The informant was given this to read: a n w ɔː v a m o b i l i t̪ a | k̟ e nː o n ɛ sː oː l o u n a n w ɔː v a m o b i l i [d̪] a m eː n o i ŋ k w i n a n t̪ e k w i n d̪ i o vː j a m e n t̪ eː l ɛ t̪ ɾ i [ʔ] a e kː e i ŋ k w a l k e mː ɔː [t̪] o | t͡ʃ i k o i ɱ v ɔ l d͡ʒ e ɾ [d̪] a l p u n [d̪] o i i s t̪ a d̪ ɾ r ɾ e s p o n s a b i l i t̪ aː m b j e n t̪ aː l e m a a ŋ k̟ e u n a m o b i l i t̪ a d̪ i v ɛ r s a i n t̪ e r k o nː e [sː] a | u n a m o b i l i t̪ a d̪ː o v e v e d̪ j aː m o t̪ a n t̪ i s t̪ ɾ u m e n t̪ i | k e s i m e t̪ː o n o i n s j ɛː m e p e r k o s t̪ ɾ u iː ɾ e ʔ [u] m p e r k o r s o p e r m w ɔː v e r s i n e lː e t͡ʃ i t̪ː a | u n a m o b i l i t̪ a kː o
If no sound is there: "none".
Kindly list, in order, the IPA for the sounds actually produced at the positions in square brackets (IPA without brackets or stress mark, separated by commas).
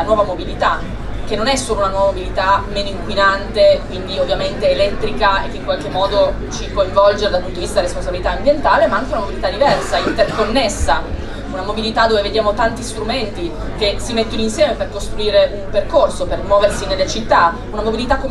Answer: t̪, k, d̪, d̪, t̪, sː, u